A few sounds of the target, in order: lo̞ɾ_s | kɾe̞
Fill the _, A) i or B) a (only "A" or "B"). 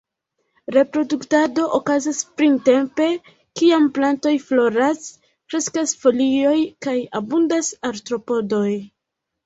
B